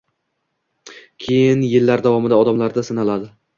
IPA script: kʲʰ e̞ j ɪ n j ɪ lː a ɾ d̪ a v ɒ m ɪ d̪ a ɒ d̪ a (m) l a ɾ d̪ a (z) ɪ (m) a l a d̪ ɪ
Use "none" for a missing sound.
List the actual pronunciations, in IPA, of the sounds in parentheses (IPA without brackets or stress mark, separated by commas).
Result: m, s, n